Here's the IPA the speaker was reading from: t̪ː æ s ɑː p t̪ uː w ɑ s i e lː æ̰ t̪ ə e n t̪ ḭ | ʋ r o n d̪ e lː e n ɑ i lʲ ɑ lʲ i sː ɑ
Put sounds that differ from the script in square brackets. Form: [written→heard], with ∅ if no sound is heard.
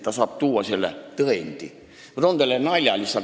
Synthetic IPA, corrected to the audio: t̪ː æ s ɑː p t̪ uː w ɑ s i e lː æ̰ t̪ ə e n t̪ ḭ | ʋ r o n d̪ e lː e n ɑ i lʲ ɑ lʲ i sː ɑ